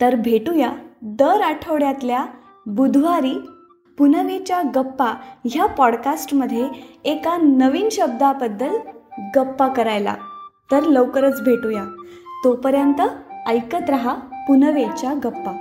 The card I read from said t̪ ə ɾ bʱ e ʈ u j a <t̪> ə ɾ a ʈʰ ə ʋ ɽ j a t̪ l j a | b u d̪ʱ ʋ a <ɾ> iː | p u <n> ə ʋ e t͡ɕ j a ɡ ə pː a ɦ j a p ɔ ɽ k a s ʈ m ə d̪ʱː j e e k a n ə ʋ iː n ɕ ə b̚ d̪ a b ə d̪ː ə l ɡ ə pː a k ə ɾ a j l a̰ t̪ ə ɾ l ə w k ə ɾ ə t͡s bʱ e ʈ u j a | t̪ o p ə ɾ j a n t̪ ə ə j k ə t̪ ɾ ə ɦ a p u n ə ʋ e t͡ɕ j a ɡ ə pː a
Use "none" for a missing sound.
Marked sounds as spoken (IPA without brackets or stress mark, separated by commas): d̪, ɾ, n